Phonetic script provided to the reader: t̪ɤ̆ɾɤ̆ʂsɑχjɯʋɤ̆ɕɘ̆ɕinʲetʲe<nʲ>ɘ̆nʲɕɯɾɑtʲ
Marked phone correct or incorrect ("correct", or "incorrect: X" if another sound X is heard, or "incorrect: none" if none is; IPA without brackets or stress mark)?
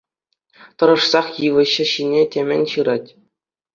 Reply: incorrect: mʲ